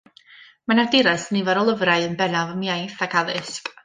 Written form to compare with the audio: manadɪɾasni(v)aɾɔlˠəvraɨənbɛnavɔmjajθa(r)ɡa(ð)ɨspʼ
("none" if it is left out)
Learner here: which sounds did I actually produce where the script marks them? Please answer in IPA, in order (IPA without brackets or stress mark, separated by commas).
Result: v, none, ð